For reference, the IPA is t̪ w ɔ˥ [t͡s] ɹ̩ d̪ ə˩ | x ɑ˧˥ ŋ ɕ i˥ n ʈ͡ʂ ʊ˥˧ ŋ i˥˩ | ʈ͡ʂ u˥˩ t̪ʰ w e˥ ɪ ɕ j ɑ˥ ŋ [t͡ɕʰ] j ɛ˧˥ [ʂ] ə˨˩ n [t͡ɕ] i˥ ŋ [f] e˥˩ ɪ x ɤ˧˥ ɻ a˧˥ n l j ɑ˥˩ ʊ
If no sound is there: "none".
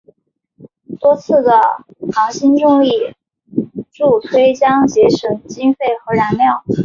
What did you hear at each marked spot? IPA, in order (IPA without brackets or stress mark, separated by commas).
t͡sʰ, t͡ɕ, ʂ, t͡ɕ, f